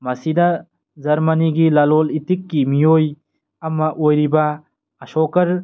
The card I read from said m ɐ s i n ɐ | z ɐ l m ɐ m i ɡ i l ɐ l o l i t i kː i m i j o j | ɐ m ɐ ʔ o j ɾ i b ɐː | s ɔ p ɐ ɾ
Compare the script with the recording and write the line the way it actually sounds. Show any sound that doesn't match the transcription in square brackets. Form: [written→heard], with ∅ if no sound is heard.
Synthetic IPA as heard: m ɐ s i [n→d] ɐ | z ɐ [l→ɾ] m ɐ [m→n] i ɡ i l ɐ l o l i t i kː i m i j o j | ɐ m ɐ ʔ o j ɾ i b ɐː | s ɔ [p→k] ɐ ɾ